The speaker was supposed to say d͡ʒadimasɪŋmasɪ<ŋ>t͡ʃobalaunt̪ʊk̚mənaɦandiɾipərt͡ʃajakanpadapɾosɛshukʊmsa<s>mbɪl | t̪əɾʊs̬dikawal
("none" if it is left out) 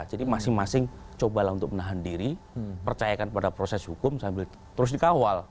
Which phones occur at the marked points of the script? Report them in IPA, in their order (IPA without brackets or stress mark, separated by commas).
ŋ, none